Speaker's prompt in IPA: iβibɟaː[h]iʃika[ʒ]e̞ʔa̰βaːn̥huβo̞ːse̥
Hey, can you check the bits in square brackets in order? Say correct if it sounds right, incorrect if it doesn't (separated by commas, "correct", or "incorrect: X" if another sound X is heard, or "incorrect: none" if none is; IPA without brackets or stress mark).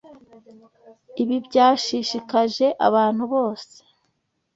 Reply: incorrect: ʃ, correct